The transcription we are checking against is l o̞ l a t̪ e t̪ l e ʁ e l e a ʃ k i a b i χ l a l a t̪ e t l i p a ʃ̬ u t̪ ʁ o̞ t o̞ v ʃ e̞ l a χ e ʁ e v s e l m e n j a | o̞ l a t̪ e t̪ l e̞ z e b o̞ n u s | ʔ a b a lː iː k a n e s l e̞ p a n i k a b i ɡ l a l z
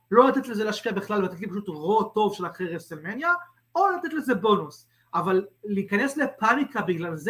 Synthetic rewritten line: l o̞ l a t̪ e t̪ l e z e l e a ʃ k i a b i χ l a l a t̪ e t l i p a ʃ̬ u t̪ ʁ o̞ t o̞ v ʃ e̞ l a χ e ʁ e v s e l m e n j a | o̞ l a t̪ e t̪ l e̞ z e b o̞ n u s | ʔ a v a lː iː k a n e s l e̞ p a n i k a b i ɡ l a l z